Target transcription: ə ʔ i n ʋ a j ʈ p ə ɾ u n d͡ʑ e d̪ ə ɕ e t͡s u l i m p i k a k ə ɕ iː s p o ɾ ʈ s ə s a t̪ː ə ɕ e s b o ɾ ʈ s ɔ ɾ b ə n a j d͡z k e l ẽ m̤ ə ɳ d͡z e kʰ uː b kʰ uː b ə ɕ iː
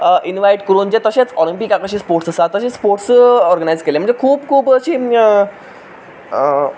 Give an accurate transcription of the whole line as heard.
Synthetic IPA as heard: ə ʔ i n ʋ a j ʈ k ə ɾ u n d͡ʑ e t̪ ə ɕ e t͡s ɔ l i m p i k a k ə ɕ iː s p o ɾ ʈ s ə s a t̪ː ə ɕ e s p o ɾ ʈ s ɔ ɾ ɡ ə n a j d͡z k e l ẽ m̤ ə ɳ d͡z e kʰ uː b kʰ uː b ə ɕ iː